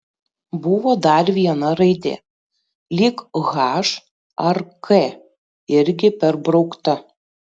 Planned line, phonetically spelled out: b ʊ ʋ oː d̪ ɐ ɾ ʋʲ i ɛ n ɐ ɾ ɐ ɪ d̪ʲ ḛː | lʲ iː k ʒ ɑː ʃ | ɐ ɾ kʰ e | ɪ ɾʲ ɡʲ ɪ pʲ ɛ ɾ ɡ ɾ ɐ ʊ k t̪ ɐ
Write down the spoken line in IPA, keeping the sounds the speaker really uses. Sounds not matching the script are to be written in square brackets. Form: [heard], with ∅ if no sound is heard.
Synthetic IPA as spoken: b ʊ ʋ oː d̪ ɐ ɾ ʋʲ i ɛ n ɐ ɾ ɐ ɪ d̪ʲ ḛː | lʲ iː k [ɣ] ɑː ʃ | ɐ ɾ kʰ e | ɪ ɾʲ ɡʲ ɪ pʲ ɛ ɾ [b] ɾ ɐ ʊ k t̪ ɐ

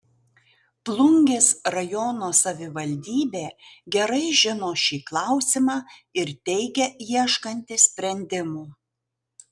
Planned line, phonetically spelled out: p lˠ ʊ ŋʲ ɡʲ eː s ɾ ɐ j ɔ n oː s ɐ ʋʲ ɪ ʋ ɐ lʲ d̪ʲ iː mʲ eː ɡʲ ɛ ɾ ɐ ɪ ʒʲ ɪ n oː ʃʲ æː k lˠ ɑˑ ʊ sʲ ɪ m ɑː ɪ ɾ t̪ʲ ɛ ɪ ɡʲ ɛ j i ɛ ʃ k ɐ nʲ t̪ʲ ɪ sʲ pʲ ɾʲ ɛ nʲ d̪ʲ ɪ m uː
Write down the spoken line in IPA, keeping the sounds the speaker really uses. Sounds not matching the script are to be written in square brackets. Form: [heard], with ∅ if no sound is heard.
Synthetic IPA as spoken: p lˠ ʊ ŋʲ ɡʲ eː s ɾ ɐ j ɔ n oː s ɐ ʋʲ ɪ ʋ ɐ lʲ d̪ʲ iː [bʲ] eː ɡʲ ɛ ɾ ɐ ɪ ʒʲ ɪ n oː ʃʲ [iː] k lˠ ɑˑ ʊ sʲ ɪ m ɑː ɪ ɾ t̪ʲ ɛ ɪ ɡʲ ɛ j i ɛ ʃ k ɐ nʲ t̪ʲ ɪ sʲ pʲ ɾʲ ɛ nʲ d̪ʲ ɪ m uː

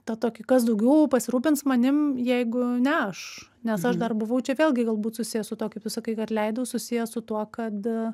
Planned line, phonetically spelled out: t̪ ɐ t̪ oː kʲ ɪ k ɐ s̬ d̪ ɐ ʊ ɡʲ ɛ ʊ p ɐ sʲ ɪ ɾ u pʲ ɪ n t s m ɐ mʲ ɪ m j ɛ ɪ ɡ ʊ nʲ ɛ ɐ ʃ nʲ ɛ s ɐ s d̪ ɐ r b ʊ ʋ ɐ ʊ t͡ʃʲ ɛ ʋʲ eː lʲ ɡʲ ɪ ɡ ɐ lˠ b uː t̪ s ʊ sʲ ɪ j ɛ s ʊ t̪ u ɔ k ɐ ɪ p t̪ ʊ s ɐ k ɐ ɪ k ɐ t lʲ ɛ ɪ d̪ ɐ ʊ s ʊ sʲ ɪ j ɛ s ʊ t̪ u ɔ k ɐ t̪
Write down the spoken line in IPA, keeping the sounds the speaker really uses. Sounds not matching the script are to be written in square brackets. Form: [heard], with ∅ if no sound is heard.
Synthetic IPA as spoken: t̪ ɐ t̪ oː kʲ ɪ k ɐ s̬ d̪ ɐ ʊ ɡʲ ɛ ʊ p ɐ sʲ ɪ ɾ [uː] pʲ ɪ n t s m ɐ [nʲ] ɪ m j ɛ ɪ ɡ ʊ nʲ ɛ ɐ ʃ nʲ ɛ s ɐ [ʃ] d̪ ɐ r b ʊ ʋ ɐ ʊ t͡ʃʲ ɛ ʋʲ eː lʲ ɡʲ ɪ ɡ ɐ lˠ b uː t̪ s ʊ sʲ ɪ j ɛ s ʊ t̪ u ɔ k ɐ ɪ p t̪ ʊ s ɐ k ɐ ɪ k ɐ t lʲ ɛ ɪ d̪ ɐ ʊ s ʊ sʲ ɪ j ɛ s ʊ t̪ u ɔ k ɐ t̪

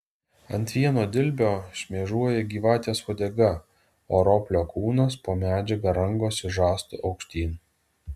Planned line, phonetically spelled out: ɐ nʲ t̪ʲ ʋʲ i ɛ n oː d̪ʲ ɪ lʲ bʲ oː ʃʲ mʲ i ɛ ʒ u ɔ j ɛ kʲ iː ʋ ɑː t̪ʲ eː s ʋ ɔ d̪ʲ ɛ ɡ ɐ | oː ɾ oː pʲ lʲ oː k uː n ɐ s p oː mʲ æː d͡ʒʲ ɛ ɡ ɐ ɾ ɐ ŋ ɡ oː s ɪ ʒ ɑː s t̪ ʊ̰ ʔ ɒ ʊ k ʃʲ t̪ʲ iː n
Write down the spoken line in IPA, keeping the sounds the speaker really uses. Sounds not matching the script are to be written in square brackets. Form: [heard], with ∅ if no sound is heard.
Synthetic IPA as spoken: ɐ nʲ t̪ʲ ʋʲ i ɛ n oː d̪ʲ ɪ lʲ bʲ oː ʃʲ mʲ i ɛ ʒ u ɔ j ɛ [ɡʲ] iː ʋ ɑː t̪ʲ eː s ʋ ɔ d̪ʲ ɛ ɡ ɐ | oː ɾ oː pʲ lʲ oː k uː n ɐ s p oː mʲ æː d͡ʒʲ ɛ ɡ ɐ ɾ ɐ ŋ ɡ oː s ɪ ʒ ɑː s t̪ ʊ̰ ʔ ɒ ʊ k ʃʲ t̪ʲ iː n

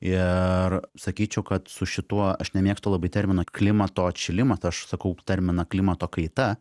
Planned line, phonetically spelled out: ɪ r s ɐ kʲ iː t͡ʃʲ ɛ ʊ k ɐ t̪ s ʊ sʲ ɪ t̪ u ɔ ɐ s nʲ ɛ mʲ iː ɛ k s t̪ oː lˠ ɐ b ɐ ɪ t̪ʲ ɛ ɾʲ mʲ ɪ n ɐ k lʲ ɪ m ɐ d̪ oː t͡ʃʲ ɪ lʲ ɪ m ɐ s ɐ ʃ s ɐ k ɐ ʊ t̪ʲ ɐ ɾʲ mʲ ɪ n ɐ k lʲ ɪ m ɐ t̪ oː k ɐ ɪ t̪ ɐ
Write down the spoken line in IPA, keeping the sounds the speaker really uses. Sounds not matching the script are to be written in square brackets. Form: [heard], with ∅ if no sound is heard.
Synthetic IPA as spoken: ɪ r s ɐ kʲ iː t͡ʃʲ ɛ ʊ k ɐ t̪ s ʊ [ʃʲ] ɪ t̪ u ɔ ɐ [ʃ] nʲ ɛ mʲ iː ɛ k s t̪ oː lˠ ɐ b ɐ ɪ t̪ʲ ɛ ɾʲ mʲ ɪ n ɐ k lʲ ɪ m ɐ [t̪] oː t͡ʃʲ ɪ lʲ ɪ m ɐ s ɐ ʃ s ɐ k ɐ ʊ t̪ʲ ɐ ɾʲ mʲ ɪ n ɐ k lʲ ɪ m ɐ t̪ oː k ɐ ɪ t̪ ɐ

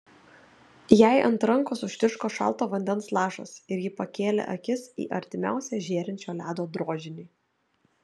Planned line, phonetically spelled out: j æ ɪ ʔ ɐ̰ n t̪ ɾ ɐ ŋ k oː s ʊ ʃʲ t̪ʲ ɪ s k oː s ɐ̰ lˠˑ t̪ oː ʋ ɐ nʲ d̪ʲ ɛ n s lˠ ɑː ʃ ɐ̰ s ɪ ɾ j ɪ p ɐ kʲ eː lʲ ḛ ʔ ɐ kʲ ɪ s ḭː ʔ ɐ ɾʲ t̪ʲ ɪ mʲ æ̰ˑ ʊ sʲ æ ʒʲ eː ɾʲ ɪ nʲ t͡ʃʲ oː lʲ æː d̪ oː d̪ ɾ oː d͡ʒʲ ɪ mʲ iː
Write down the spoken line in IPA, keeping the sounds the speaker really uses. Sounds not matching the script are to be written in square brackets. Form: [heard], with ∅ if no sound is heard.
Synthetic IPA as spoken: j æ ɪ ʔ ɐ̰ n t̪ ɾ ɐ ŋ k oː s ʊ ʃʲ t̪ʲ ɪ [ʃ] k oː [ʃ] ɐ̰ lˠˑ t̪ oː ʋ ɐ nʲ d̪ʲ ɛ n s lˠ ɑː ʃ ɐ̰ s ɪ ɾ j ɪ p ɐ kʲ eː lʲ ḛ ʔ ɐ kʲ ɪ s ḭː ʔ ɐ ɾʲ t̪ʲ ɪ mʲ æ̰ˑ ʊ sʲ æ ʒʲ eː ɾʲ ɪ nʲ t͡ʃʲ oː lʲ æː d̪ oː d̪ ɾ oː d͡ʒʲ ɪ [nʲ] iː

